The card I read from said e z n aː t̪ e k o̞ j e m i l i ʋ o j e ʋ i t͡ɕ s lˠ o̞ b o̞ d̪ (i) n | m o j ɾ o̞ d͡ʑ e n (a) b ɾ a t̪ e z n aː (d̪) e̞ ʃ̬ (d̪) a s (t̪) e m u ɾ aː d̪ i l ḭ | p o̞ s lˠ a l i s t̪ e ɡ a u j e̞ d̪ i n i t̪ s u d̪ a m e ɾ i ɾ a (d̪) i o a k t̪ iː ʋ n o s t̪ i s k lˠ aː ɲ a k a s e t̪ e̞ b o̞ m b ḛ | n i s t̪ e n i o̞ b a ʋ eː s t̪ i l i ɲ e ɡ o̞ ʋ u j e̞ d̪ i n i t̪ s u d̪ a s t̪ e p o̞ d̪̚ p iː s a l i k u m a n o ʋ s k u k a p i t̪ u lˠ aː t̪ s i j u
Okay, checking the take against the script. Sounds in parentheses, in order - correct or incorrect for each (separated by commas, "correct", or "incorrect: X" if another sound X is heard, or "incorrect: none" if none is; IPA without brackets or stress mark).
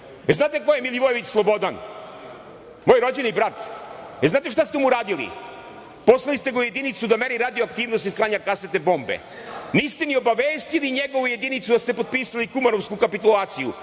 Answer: incorrect: a, incorrect: i, incorrect: t̪, incorrect: t̪, correct, correct